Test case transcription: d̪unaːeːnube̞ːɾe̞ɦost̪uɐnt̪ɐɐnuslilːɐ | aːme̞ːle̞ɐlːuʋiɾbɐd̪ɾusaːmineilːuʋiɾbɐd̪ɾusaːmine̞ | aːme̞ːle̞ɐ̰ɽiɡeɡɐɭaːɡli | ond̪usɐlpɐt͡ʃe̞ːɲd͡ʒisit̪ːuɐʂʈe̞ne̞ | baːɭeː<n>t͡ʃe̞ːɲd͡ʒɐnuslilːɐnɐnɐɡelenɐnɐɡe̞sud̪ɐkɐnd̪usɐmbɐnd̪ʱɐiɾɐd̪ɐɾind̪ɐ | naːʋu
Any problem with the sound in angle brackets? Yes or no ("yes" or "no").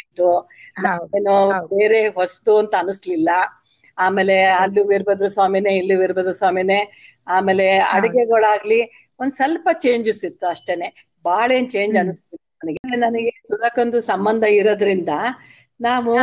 no